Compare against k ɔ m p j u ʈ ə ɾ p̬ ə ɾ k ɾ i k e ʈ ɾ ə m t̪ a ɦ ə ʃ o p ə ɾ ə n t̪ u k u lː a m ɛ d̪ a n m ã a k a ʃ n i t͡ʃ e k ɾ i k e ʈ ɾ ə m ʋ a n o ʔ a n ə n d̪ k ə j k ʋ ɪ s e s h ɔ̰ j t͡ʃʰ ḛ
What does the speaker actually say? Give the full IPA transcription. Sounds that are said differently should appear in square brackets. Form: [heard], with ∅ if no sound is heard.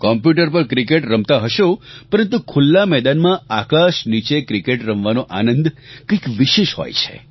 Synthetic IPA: k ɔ m p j u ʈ ə ɾ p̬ ə ɾ k ɾ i k e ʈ ɾ ə m t̪ a ɦ ə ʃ o p ə ɾ ə n t̪ u [kʰ] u lː a m ɛ d̪ a n m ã a k a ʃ n i t͡ʃ e k ɾ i k e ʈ ɾ ə m ʋ a n o ʔ a n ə n d̪ k ə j k ʋ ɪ [ʃ] e [ʃ] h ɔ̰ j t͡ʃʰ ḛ